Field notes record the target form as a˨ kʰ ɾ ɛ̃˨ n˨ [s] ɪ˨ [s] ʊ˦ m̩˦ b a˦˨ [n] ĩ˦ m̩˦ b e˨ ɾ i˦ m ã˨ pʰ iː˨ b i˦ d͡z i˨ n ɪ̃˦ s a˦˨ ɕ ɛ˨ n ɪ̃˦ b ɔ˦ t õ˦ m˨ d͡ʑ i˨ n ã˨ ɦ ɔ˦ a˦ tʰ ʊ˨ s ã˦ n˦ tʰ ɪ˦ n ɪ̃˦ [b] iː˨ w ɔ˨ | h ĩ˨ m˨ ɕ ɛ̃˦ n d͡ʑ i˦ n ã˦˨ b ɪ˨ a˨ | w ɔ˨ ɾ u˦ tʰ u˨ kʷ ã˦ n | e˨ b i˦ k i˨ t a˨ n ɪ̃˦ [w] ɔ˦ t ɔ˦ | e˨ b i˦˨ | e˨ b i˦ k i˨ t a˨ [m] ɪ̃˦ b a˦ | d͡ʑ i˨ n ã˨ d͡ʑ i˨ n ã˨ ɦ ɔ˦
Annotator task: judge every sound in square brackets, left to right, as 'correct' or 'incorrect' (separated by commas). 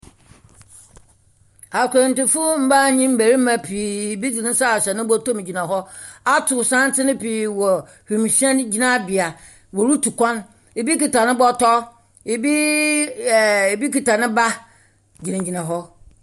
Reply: incorrect, incorrect, incorrect, incorrect, incorrect, incorrect